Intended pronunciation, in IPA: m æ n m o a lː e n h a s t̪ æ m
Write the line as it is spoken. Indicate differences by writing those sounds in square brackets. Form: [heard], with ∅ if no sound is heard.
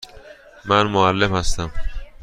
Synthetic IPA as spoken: m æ n m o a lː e [m] h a s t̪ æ m